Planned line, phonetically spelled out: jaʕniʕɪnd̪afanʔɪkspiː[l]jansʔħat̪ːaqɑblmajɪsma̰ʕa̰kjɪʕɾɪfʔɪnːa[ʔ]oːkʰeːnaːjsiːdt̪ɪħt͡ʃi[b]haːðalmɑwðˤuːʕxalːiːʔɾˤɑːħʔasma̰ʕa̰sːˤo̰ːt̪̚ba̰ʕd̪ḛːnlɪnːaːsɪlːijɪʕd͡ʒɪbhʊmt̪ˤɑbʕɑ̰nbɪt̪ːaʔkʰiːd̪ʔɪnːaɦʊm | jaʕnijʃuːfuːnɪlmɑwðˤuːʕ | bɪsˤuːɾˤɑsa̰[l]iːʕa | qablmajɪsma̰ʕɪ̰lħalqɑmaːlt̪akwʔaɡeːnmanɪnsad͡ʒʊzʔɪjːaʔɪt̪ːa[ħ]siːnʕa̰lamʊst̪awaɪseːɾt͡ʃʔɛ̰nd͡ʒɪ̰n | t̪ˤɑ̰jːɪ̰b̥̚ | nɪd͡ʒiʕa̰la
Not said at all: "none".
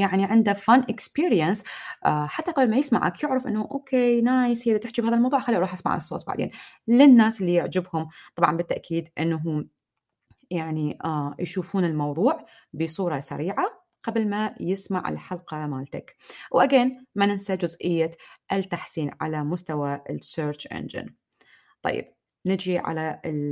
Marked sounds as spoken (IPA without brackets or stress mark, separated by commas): ɾ, ʔ, b, ɾ, ħ